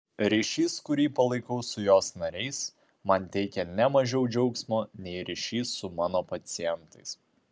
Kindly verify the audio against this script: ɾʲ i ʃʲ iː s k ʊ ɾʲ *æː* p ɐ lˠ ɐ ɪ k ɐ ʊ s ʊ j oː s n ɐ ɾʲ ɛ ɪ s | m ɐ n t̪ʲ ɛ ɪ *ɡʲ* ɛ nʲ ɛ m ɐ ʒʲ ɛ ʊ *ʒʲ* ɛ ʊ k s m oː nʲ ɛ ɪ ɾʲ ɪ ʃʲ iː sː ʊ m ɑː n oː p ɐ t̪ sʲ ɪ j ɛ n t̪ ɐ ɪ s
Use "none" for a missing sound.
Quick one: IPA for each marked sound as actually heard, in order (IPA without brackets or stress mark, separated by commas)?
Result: iː, kʲ, d͡ʒʲ